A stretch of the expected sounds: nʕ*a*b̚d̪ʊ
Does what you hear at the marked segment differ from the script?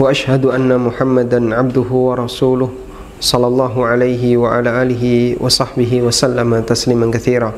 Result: no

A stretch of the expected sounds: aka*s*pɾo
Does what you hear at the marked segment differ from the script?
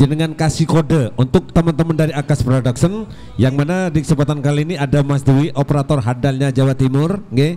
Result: no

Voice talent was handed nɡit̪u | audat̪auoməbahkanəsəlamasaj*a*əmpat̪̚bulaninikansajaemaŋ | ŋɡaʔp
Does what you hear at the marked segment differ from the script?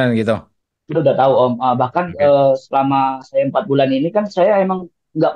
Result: no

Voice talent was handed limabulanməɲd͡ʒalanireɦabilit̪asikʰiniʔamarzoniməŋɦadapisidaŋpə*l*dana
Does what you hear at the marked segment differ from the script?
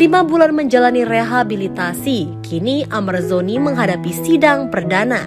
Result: yes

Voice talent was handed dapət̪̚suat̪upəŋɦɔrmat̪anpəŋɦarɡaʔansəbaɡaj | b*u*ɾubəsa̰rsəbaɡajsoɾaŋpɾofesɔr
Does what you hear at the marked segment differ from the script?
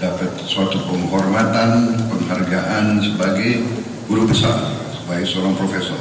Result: no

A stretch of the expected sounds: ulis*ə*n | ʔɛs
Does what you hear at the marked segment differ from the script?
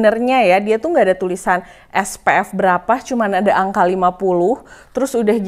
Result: yes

